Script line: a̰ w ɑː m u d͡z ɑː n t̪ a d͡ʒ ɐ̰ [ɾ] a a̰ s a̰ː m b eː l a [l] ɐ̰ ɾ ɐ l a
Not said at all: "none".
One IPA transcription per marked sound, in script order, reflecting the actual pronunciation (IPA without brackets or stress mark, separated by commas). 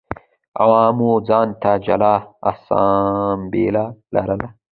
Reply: l, l